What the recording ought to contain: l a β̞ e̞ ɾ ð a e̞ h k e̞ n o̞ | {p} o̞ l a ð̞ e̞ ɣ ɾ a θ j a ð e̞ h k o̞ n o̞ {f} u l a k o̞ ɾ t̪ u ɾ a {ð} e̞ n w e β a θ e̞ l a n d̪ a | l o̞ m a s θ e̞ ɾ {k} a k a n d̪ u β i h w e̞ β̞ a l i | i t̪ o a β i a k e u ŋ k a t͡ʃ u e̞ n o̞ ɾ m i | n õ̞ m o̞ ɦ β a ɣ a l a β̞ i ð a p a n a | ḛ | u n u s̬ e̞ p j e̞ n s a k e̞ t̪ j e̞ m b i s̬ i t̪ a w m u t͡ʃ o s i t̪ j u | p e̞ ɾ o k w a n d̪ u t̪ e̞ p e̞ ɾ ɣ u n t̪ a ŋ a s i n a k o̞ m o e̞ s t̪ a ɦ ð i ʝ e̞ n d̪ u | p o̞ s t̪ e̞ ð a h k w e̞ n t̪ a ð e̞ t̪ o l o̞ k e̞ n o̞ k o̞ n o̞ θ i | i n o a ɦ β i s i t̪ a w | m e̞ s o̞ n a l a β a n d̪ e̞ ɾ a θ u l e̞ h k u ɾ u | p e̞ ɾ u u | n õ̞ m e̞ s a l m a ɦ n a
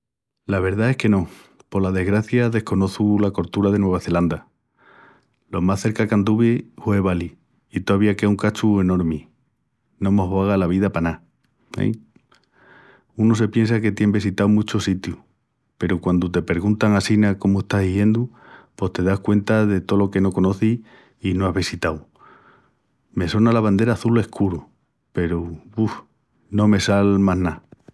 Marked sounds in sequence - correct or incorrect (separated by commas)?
correct, incorrect, correct, correct